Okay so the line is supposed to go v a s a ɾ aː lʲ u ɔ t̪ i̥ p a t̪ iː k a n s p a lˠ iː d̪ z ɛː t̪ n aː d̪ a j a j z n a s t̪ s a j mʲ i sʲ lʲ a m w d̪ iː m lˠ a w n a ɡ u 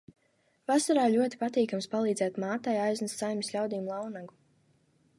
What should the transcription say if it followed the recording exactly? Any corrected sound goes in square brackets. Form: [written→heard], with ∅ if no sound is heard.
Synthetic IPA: v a s a ɾ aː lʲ u ɔ t̪ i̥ p a t̪ iː k a [n→m] s p a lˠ iː d̪ z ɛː t̪ [n→m] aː [d̪→t̪] a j a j z n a s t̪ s a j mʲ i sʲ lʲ a [m→∅] w d̪ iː m lˠ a w n a ɡ u

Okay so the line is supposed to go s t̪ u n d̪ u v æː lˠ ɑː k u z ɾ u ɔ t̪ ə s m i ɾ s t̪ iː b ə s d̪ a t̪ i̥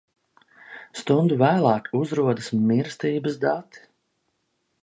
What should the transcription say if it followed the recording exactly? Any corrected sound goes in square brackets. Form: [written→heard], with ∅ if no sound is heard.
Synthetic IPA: s t̪ u n d̪ u v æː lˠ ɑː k u z ɾ u ɔ [t̪→d̪] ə s m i ɾ s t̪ iː b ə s d̪ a t̪ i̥

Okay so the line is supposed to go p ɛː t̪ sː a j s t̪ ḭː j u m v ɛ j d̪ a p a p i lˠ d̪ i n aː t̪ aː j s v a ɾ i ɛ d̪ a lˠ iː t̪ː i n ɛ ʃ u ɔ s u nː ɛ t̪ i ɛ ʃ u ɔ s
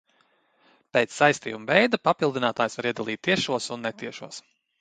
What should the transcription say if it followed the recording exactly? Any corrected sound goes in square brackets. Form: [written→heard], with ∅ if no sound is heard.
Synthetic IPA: p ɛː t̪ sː a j s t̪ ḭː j u m v ɛ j d̪ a p a p i lˠ d̪ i n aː t̪ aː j s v a ɾ i ɛ d̪ a lˠ iː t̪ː i [n→∅] ɛ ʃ u ɔ s u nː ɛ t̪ i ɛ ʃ u ɔ s

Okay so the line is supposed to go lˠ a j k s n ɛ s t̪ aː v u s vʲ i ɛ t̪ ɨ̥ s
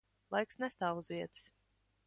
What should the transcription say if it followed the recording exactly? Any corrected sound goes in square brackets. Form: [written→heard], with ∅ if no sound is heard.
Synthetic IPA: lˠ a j k s n ɛ s t̪ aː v u [s→z] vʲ i ɛ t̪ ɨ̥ s

